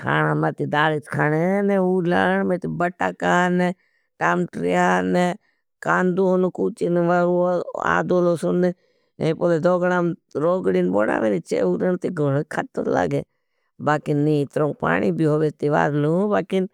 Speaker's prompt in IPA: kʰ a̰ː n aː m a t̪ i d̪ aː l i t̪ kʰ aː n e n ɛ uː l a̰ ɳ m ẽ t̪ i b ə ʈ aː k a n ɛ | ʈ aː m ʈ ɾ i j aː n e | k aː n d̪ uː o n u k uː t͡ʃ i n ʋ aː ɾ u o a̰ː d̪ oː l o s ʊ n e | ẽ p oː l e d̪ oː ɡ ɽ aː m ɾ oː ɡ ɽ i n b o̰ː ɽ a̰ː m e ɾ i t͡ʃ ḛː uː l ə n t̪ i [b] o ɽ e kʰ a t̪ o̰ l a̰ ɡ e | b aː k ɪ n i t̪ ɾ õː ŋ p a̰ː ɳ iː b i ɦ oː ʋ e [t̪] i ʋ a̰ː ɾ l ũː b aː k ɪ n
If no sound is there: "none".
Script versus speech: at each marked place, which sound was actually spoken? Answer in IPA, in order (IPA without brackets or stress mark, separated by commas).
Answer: ɡ, t̪